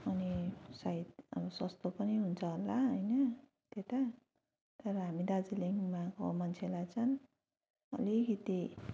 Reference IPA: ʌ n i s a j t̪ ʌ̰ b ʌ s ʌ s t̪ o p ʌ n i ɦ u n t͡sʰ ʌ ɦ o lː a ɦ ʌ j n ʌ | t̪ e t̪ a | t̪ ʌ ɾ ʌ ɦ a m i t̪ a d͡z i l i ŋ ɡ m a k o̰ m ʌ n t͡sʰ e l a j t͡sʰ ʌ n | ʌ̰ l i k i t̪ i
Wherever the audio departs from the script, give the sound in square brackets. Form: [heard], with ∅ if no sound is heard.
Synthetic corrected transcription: ʌ n i s a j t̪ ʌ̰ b ʌ s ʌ s t̪ o p ʌ n i ɦ u n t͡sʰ ʌ ɦ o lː a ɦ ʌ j n ʌ | t̪ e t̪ a | t̪ ʌ ɾ ʌ ɦ a m i [d̪] a d͡z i l i ŋ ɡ m a k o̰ m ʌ n t͡sʰ e l a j t͡sʰ ʌ n | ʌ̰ l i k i t̪ i